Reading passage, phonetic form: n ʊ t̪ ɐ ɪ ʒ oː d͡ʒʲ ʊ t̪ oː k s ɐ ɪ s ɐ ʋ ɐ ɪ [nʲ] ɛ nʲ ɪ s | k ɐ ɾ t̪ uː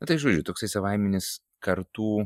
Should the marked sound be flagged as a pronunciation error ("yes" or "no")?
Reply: yes